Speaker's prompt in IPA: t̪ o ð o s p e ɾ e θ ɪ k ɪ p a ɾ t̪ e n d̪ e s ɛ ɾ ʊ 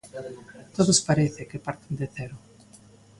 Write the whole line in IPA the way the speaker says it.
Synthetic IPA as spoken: t̪ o ð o s p a ɾ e θ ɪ k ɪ p a ɾ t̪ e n d̪ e θ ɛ ɾ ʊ